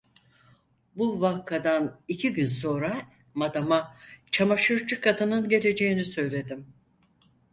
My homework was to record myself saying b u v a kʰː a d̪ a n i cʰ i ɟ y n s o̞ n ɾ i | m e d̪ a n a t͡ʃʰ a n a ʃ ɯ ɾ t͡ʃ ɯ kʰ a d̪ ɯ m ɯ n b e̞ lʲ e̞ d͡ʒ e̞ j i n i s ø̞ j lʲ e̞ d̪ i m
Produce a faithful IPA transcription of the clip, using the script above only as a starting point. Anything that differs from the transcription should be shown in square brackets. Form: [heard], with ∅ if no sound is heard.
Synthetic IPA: b u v a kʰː a d̪ a n i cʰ i ɟ y n s o̞ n ɾ [a] | m [a] d̪ a [m] a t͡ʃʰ a [m] a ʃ ɯ ɾ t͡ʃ ɯ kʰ a d̪ ɯ [n] ɯ n [ɟ] e̞ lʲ e̞ d͡ʒ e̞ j i n i s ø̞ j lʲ e̞ d̪ i m